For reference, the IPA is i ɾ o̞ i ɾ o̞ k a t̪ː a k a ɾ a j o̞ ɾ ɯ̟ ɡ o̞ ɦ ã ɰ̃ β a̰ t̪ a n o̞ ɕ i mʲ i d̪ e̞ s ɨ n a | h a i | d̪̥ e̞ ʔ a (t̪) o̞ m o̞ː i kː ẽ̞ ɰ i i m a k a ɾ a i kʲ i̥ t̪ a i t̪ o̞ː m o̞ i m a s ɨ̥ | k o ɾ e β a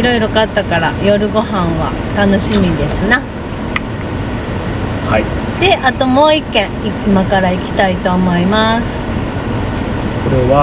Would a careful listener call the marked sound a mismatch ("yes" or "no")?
no